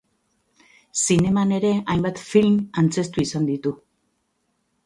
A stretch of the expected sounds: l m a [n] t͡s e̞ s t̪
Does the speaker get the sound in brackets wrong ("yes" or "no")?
no